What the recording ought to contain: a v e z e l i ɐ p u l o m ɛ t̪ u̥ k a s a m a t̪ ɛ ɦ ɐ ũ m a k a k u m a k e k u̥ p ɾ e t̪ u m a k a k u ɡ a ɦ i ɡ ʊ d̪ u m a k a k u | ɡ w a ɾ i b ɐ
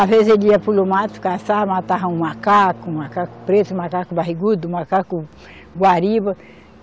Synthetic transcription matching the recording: a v e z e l i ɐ p u l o m a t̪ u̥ k a s a m a t̪ a ɦ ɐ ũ m a k a k u m a k a k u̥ p ɾ e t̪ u m a k a k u b a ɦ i ɡ u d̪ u m a k a k u | ɡ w a ɾ i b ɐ